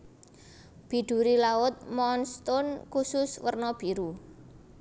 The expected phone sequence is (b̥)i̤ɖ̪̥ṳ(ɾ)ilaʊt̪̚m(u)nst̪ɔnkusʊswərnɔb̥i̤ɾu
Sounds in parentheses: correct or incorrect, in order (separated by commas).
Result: correct, correct, incorrect